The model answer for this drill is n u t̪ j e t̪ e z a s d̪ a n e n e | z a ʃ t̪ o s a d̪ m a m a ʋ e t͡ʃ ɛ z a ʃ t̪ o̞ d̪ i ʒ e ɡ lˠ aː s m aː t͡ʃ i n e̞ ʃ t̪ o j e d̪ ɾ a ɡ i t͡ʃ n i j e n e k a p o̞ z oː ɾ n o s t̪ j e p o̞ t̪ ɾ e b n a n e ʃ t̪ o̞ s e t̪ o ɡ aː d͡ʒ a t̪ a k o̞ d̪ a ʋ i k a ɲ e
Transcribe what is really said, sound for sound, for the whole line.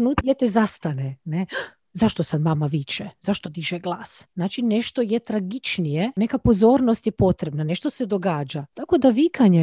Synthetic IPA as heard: n u t̪ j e t̪ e z a s t̪ a n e n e | z a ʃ t̪ o s a d̪ m a m a ʋ i t͡ʃ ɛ z a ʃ t̪ o̞ d̪ i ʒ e ɡ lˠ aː s n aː t͡ʃ i n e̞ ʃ t̪ o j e t̪ ɾ a ɡ i t͡ʃ n i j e n e k a p o̞ z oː ɾ n o s t̪ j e p o̞ t̪ ɾ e b n a n e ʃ t̪ o̞ s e d̪ o ɡ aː d͡ʒ a t̪ a k o̞ d̪ a ʋ i k a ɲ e